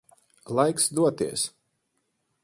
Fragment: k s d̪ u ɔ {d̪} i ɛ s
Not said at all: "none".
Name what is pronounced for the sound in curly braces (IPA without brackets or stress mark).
t̪